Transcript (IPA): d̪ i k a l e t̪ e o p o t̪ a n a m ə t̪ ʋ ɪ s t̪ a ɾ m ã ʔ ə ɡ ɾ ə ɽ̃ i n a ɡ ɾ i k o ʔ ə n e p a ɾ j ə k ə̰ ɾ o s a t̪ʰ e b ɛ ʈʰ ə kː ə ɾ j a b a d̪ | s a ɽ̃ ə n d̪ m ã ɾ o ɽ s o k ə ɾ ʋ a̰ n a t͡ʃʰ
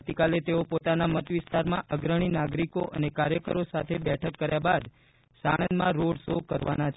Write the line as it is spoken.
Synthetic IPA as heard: t̪ i k a l e t̪ e o p o t̪ a n a m ə t̪ ʋ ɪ s t̪ a ɾ m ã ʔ ə ɡ ɾ ə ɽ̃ i n a ɡ ɾ i k o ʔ ə n e k a ɾ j ə k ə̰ ɾ o s a t̪ʰ e b ɛ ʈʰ ə kː ə ɾ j a b a d̪ | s a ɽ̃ ə n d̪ m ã ɾ o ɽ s o k ə ɾ ʋ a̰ n a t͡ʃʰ